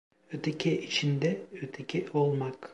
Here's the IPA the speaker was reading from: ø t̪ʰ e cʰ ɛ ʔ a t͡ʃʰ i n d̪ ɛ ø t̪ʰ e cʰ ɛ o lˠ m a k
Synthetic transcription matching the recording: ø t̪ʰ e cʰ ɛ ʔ i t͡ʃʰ i n d̪ ɛ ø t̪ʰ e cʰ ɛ o lˠ m a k